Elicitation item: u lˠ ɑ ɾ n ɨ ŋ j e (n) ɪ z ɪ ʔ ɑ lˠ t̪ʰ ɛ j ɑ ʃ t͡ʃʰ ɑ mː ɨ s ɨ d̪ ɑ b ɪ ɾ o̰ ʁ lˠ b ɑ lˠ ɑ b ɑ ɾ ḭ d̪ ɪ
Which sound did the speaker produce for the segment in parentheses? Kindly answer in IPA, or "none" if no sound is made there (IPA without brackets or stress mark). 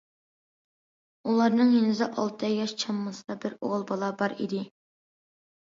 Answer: n